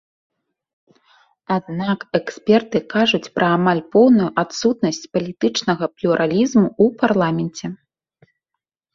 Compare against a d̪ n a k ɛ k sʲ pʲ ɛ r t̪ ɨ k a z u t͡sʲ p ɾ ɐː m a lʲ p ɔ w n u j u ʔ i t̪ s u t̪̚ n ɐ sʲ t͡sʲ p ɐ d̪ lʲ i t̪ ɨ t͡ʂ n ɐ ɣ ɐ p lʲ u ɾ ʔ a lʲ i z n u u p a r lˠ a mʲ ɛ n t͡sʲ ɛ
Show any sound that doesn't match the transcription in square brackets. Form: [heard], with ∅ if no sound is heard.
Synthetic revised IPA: a d̪ n a k ɛ k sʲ pʲ ɛ r t̪ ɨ k a [ʐ] u t͡sʲ p ɾ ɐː m a lʲ p ɔ w n u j u ʔ [a] t̪ s u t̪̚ n ɐ sʲ t͡sʲ p ɐ [∅] lʲ i t̪ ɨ t͡ʂ n ɐ ɣ ɐ p lʲ u ɾ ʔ a lʲ i z [m] u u p a r lˠ a mʲ ɛ n t͡sʲ ɛ